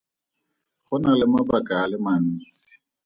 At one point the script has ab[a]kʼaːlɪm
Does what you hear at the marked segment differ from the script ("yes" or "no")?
no